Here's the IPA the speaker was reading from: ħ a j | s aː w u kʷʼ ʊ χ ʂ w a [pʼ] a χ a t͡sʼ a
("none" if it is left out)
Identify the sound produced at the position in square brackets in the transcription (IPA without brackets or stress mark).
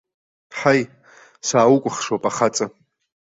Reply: pʼ